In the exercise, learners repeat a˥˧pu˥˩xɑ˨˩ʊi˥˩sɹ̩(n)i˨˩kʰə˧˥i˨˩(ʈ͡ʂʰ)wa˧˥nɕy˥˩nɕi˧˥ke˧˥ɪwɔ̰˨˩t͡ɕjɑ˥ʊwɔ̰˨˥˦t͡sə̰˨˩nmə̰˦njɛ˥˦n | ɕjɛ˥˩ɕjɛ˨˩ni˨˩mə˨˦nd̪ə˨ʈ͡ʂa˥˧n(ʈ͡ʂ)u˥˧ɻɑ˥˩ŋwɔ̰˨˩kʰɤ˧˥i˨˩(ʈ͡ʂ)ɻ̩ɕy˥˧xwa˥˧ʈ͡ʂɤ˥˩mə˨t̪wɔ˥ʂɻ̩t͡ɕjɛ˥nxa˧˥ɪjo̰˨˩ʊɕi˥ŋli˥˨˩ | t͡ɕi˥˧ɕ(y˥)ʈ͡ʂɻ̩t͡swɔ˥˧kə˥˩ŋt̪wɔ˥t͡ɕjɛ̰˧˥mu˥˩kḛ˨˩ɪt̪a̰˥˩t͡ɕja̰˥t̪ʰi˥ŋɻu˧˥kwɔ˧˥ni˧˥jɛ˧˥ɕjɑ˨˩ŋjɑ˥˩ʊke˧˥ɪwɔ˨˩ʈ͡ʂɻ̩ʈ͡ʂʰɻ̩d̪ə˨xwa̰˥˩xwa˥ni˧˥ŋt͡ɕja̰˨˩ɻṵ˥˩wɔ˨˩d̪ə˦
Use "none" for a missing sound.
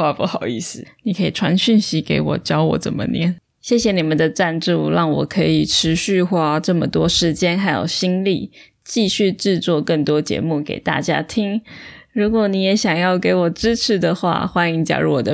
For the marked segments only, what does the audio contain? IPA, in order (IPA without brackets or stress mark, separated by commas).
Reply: n, ʈ͡ʂʰ, ʈ͡ʂ, ʈ͡ʂʰ, y˥˧